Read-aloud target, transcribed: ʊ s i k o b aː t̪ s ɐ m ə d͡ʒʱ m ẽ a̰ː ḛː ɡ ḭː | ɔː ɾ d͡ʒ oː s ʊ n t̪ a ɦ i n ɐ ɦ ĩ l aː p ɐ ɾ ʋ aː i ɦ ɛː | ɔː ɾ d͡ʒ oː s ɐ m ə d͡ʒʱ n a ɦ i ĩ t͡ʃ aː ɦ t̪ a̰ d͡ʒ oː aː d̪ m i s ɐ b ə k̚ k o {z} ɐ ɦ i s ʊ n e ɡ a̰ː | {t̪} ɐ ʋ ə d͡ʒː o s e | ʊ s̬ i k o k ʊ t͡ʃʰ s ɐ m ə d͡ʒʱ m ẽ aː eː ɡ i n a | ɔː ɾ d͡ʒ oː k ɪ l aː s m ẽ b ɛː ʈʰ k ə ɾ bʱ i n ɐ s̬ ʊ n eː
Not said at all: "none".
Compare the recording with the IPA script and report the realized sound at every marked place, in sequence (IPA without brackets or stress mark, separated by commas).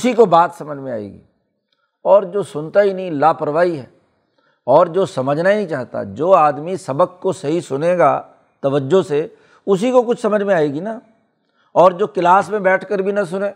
s, t̪